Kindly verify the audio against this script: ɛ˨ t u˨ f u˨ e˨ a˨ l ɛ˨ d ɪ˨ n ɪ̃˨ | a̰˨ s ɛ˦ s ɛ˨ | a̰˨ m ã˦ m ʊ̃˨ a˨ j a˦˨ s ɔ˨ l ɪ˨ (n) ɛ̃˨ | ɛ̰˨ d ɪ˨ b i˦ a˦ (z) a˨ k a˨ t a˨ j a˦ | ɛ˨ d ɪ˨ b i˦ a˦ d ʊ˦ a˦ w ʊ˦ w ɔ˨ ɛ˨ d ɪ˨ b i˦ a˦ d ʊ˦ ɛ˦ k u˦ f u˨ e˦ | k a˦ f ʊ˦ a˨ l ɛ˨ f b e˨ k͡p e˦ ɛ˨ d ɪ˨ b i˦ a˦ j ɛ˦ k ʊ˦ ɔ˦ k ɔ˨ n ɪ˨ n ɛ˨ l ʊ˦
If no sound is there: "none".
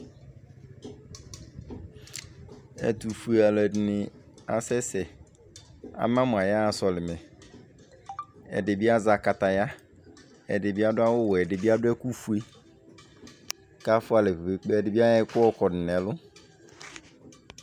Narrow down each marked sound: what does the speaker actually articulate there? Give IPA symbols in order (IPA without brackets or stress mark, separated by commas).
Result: m, z